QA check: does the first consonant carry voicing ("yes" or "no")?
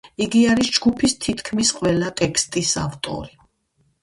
yes